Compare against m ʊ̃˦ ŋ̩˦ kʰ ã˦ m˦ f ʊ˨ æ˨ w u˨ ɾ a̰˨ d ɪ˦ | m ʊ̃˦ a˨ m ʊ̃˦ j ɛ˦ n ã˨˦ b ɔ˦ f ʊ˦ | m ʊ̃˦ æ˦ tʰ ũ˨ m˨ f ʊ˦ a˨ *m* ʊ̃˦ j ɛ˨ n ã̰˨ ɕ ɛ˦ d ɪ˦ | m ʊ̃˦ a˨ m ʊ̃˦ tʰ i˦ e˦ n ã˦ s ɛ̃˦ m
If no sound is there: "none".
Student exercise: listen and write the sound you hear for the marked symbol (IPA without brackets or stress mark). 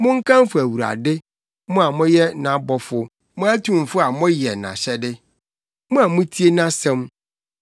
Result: m